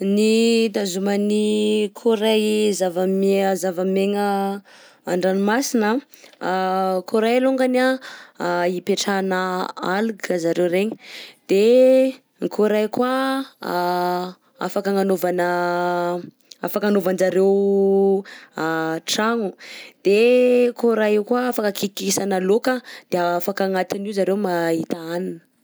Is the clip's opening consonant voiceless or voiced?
voiced